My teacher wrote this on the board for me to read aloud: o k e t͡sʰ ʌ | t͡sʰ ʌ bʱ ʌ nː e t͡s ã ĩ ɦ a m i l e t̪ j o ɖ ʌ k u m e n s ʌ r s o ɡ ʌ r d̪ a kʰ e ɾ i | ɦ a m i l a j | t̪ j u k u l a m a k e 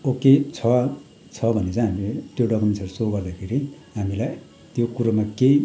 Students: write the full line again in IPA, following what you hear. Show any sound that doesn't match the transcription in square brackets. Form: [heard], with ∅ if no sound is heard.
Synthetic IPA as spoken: o k e t͡sʰ ʌ | t͡sʰ ʌ bʱ ʌ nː e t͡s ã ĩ ɦ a m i l e t̪ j o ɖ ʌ k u m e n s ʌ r s o ɡ ʌ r d̪ a kʰ e ɾ i | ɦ a m i l a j | t̪ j [o] k u [ɾ] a m a k e